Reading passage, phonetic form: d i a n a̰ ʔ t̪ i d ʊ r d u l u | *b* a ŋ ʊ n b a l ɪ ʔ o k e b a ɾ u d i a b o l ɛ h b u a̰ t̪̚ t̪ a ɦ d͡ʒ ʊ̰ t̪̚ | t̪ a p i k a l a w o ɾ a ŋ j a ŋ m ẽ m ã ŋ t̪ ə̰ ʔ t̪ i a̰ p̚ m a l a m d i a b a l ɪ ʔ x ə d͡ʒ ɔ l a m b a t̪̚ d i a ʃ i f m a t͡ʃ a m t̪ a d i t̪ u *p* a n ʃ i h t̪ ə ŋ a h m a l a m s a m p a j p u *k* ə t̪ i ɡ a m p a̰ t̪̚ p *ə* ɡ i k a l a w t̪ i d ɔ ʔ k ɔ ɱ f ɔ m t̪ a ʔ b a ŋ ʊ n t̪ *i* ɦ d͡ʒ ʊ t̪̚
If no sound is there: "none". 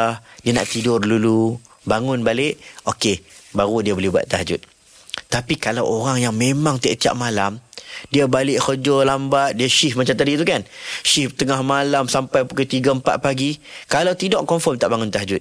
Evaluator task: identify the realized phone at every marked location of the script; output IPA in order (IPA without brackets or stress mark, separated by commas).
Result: b, k, k, a, a